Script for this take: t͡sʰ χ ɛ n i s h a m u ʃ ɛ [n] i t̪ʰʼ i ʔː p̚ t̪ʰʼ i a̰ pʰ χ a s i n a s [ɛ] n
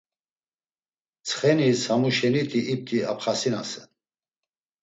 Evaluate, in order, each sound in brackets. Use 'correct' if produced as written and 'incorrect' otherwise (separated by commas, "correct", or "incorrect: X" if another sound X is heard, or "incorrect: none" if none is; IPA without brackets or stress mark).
correct, correct